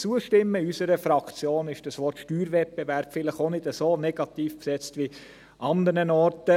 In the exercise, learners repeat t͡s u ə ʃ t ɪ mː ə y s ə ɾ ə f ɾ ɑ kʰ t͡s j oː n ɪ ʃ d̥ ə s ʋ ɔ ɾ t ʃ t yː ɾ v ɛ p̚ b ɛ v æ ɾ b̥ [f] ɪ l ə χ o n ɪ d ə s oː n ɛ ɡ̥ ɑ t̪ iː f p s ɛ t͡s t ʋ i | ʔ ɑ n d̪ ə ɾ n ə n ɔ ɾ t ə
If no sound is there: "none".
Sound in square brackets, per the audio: f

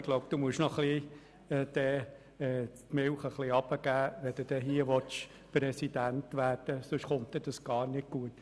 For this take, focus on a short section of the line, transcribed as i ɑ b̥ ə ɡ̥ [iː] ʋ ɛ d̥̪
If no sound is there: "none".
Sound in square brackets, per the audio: æː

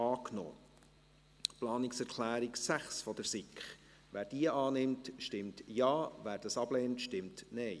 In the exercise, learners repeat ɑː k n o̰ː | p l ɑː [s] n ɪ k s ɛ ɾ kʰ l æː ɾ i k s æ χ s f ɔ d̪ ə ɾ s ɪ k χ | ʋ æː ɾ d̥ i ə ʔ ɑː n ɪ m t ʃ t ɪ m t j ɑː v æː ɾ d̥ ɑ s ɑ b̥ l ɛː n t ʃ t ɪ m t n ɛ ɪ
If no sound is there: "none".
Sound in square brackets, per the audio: none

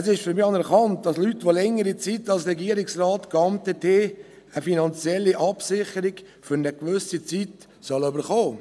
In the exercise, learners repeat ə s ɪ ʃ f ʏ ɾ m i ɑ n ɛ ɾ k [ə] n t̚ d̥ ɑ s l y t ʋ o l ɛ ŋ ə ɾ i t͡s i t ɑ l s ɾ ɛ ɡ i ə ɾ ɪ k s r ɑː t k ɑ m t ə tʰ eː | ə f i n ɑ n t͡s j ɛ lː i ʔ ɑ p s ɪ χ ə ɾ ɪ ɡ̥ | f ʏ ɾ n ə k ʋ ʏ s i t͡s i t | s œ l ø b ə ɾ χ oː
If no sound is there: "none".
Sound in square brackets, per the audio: ɑ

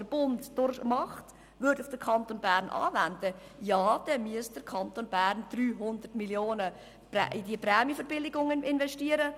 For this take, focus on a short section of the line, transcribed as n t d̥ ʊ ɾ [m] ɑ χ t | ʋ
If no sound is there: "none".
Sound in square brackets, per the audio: m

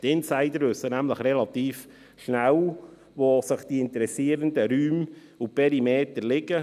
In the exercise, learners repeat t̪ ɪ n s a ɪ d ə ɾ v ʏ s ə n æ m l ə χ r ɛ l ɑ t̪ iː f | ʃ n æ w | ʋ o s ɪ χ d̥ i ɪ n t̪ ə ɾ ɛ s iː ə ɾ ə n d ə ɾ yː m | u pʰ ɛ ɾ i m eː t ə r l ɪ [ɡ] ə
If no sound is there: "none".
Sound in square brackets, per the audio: ɡ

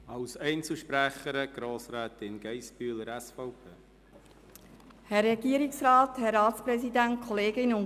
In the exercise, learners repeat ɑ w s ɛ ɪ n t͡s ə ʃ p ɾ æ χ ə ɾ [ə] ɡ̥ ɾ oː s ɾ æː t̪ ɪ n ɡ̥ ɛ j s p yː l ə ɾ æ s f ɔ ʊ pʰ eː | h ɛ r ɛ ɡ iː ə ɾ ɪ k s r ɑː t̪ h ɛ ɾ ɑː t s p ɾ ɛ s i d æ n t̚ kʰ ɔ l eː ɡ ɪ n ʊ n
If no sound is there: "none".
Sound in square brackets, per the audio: ə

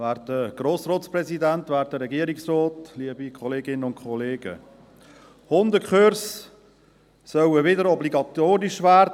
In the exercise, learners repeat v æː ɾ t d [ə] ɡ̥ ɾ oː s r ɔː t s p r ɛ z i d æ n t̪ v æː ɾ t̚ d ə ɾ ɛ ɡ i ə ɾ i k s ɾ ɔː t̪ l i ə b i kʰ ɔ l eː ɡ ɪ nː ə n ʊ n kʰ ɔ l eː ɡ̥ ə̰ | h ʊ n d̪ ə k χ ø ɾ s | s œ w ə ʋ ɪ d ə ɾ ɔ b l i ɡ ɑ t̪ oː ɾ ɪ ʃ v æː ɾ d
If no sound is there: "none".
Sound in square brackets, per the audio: ə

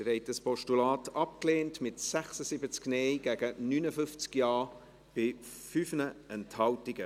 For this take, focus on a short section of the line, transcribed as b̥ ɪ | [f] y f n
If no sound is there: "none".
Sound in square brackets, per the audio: f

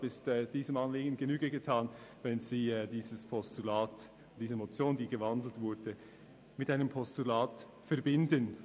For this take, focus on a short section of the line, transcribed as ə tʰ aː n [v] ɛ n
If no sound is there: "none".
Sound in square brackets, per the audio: v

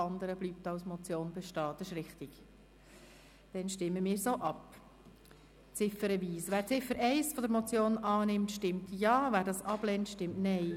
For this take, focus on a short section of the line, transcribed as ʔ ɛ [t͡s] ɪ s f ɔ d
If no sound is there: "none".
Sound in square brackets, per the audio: none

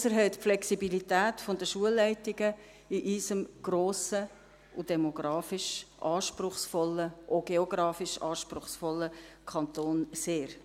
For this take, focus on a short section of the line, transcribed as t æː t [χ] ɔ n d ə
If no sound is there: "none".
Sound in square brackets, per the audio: f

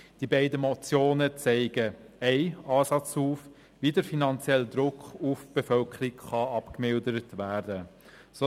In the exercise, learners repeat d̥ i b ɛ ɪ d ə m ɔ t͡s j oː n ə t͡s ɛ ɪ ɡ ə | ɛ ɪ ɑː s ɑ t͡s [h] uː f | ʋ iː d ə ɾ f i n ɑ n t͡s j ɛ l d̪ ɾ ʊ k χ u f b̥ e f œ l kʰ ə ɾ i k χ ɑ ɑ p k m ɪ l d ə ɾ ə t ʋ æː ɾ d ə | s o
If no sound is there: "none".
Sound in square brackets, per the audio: h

